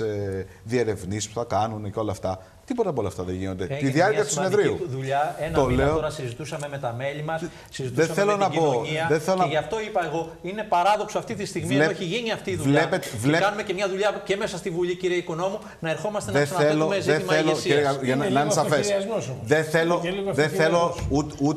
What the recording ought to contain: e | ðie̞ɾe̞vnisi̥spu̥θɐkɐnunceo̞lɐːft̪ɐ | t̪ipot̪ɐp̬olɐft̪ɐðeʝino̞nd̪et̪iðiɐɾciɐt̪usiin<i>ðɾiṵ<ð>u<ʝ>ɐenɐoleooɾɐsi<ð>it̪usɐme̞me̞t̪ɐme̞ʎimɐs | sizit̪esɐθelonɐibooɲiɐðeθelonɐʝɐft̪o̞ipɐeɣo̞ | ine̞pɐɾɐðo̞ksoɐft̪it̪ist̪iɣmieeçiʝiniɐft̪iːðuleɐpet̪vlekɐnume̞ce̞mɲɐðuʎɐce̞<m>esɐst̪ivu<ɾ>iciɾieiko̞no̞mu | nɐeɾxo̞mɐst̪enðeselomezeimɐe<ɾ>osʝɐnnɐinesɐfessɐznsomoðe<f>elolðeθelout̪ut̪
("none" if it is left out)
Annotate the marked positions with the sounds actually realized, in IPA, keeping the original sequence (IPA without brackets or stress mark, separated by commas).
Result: e, ð, ʎ, z, m, ʎ, l, θ